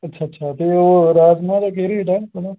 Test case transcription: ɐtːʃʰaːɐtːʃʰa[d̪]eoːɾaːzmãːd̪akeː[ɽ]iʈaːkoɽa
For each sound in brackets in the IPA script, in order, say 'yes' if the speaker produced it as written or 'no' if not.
no, no

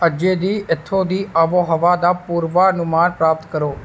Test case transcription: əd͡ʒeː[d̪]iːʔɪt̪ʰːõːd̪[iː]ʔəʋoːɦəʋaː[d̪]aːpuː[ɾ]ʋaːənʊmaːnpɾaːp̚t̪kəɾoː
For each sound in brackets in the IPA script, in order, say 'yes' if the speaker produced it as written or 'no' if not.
yes, yes, yes, yes

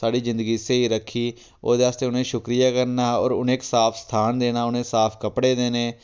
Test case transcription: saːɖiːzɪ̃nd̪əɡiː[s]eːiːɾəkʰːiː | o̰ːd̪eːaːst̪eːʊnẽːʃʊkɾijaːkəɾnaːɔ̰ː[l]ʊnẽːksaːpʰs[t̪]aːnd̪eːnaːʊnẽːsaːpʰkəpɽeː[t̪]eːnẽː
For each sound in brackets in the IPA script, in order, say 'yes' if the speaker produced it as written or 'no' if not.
yes, no, no, no

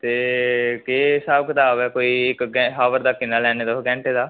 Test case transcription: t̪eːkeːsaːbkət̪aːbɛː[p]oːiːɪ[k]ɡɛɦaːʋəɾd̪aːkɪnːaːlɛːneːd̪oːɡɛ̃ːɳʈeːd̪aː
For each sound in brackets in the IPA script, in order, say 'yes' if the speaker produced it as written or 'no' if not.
no, yes

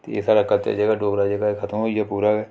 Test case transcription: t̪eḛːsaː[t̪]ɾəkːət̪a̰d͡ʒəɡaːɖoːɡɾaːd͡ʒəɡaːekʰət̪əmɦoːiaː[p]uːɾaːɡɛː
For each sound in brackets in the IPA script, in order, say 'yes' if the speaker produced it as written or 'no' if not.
no, yes

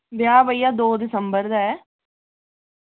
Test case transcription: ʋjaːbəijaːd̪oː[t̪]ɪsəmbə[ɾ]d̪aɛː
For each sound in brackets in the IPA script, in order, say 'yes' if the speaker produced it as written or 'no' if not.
no, yes

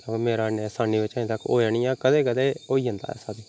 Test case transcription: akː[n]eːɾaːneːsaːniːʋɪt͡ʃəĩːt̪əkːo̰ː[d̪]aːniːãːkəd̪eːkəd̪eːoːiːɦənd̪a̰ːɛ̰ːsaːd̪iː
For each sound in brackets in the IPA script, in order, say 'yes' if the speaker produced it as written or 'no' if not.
no, no

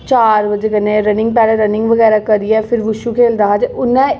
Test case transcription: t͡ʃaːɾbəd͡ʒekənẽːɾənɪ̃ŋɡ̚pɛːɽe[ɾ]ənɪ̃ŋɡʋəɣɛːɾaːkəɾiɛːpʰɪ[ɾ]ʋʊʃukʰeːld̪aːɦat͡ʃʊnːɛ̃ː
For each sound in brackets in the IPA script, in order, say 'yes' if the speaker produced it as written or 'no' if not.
yes, yes

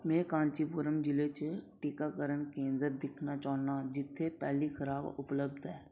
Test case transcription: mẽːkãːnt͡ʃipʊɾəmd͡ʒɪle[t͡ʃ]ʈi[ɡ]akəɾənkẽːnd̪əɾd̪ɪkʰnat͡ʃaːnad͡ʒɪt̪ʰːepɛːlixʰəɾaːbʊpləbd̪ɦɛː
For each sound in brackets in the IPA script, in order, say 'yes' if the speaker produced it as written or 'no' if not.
yes, no

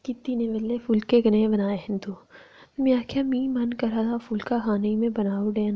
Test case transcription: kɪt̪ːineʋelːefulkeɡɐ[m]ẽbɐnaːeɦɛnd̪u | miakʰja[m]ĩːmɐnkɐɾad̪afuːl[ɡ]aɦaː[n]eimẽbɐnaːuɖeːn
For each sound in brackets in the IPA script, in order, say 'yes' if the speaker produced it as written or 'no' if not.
no, yes, no, yes

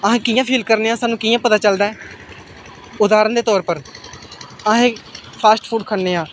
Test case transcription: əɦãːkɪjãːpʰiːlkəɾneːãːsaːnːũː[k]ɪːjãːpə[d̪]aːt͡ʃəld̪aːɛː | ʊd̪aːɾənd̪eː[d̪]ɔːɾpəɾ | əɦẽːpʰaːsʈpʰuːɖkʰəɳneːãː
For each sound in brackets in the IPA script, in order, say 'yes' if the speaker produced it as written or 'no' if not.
yes, no, no

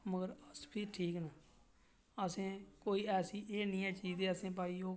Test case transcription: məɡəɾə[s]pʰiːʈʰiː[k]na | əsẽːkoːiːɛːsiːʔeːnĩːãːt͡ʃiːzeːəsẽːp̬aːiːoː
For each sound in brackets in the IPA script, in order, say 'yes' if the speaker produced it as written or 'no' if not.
yes, yes

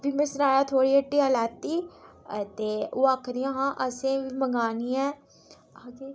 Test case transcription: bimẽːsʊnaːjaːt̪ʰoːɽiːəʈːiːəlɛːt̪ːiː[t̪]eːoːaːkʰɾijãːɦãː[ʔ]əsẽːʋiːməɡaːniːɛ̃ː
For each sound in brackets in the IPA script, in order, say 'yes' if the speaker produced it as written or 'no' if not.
yes, yes

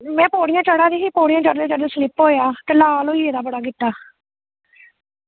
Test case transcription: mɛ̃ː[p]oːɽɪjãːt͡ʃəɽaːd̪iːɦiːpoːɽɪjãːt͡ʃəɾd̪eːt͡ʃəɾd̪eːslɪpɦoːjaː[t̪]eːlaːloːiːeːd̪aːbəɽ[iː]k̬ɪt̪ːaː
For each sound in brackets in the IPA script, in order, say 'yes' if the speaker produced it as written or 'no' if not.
yes, yes, no

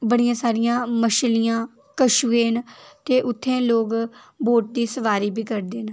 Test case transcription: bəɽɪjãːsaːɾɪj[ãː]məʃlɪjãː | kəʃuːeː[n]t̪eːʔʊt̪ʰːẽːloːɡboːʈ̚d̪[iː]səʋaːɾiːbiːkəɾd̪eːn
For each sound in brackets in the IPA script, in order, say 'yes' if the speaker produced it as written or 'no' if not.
yes, yes, yes

